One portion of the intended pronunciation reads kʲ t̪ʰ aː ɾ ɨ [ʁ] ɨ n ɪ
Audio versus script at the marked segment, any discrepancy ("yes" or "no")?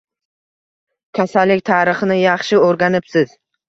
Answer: yes